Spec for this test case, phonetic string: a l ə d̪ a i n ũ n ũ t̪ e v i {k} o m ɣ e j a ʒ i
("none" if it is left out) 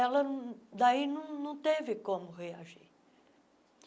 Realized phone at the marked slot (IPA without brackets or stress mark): k